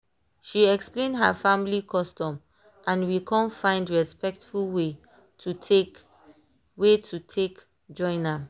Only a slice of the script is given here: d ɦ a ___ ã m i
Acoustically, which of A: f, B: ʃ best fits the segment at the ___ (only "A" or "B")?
A